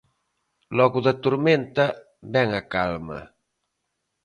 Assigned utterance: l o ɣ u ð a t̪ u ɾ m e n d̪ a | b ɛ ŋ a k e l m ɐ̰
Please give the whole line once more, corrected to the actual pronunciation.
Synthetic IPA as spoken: l ɔ ɣ u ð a t̪ u ɾ m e n t̪ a | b ɛ ŋ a k a l m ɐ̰